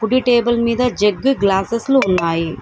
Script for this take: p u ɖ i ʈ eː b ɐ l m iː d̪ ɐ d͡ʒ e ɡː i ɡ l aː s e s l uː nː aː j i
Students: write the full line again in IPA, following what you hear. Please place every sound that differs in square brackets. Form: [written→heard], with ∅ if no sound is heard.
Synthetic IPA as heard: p u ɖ i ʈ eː b ɐ l m iː d̪ ɐ d͡ʒ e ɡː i ɡ l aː s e s l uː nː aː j i

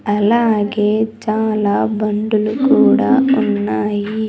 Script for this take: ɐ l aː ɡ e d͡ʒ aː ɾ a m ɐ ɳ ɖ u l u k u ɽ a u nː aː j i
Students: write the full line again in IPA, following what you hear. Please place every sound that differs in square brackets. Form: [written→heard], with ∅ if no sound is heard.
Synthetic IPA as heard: ɐ l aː ɡ e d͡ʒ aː [ɾ→l] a [m→b] ɐ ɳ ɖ u l u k [u→uː] ɽ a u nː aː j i

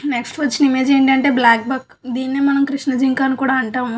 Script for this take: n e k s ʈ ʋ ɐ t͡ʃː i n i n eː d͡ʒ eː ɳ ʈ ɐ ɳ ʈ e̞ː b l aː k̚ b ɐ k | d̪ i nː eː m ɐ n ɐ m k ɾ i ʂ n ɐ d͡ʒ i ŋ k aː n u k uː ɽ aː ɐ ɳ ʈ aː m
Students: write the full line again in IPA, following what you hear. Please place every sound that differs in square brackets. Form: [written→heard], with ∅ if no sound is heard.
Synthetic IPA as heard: n e k s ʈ ʋ ɐ t͡ʃː i n i [n→m] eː d͡ʒ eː ɳ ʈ ɐ ɳ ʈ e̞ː b l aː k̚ b ɐ k | d̪ [i→iː] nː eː m ɐ n ɐ m k ɾ i ʂ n ɐ d͡ʒ i ŋ k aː n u k uː ɽ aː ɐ ɳ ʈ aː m

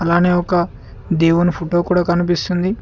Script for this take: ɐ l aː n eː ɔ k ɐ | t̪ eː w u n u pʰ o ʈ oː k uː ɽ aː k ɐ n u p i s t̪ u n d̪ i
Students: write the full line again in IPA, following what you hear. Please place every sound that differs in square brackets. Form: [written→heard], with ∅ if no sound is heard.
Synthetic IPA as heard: ɐ l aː n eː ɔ k ɐ | [t̪→d̪] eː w u n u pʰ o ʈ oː k uː ɽ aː k ɐ n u p i s t̪ u n d̪ i

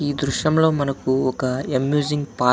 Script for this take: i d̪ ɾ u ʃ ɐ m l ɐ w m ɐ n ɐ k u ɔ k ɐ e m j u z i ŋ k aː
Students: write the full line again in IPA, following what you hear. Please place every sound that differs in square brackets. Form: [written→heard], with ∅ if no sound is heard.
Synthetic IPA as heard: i d̪ ɾ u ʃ ɐ m l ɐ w m ɐ n ɐ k u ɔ k ɐ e m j u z i ŋ [k→p] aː

